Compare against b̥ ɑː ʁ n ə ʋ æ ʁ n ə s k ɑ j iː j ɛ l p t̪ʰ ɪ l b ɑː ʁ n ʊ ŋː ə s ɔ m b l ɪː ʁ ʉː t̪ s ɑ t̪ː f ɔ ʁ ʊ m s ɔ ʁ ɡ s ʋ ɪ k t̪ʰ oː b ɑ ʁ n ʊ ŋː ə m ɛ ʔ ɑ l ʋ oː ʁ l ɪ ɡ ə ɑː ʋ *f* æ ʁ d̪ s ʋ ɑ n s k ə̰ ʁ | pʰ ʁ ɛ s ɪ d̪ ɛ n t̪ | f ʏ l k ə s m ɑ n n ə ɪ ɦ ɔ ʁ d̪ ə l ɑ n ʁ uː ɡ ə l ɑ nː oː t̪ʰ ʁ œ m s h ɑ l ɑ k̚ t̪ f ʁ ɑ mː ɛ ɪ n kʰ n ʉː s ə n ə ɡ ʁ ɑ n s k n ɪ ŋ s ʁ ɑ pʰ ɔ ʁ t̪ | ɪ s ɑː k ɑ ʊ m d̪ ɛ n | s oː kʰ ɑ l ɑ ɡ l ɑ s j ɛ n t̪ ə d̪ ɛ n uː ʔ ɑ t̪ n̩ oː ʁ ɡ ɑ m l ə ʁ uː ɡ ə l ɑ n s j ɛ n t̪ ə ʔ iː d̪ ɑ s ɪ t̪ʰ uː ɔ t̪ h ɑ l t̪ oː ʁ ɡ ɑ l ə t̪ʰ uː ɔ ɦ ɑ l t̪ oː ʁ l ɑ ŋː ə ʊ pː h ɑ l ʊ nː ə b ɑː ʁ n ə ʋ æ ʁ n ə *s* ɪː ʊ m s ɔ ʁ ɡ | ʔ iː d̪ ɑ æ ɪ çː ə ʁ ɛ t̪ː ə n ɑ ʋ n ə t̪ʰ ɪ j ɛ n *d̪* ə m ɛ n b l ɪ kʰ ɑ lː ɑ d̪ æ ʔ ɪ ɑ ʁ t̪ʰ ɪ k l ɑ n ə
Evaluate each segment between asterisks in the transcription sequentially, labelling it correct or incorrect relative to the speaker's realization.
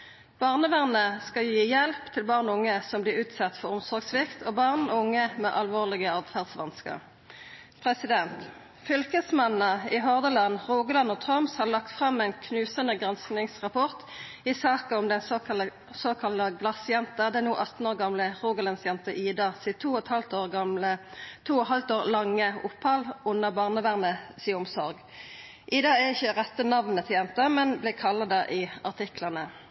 correct, correct, incorrect: t̪

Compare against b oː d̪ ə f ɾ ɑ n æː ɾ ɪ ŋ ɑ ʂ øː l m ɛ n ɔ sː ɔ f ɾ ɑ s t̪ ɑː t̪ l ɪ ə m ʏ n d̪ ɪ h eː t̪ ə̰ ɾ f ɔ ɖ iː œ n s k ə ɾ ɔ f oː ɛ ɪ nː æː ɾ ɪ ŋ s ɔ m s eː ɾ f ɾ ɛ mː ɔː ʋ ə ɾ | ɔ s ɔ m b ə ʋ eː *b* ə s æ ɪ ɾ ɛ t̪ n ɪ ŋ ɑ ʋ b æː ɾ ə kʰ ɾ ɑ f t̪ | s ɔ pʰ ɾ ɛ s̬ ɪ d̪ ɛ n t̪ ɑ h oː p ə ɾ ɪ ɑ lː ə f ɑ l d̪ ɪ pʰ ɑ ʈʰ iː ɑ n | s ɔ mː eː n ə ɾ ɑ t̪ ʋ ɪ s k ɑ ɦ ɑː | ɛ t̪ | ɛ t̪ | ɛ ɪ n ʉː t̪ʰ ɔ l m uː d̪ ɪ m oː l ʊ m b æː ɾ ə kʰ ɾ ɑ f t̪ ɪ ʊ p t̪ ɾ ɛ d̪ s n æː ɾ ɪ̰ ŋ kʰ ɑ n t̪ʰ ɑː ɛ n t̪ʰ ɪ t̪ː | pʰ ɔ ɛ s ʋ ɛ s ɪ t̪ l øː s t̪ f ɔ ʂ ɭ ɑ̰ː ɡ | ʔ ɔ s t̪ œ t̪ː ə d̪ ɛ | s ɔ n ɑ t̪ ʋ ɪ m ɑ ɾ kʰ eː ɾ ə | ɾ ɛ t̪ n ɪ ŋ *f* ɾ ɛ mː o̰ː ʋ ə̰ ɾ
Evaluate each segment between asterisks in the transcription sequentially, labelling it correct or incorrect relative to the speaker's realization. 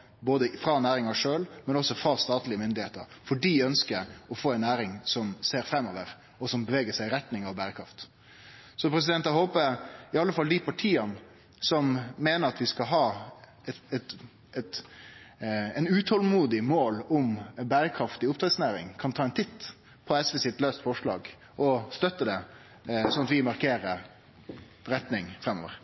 incorrect: ɡ, correct

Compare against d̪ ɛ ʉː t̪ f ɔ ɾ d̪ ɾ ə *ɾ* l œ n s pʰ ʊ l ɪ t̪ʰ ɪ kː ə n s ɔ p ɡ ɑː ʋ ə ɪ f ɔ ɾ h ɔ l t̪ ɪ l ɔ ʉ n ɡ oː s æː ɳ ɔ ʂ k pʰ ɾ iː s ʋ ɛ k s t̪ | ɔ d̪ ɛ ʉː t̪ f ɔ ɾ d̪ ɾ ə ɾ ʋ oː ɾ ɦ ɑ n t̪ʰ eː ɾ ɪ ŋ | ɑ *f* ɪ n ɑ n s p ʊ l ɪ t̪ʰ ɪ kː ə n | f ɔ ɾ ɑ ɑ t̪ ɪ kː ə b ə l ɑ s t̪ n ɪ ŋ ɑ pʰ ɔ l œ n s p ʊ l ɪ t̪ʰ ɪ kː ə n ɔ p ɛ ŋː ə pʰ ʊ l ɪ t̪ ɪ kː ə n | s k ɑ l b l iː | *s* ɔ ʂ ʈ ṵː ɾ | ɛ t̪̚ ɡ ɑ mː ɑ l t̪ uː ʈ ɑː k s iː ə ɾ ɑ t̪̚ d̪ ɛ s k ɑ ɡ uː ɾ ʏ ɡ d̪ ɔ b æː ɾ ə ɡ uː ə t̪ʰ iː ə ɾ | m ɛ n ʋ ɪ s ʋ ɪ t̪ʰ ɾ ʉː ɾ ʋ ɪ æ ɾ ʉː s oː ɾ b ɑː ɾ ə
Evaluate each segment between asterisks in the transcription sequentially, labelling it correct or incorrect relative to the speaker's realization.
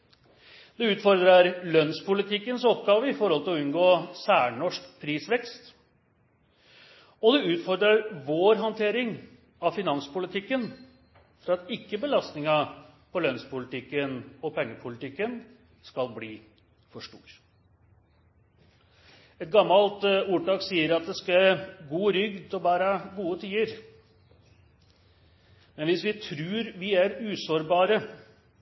correct, correct, incorrect: f

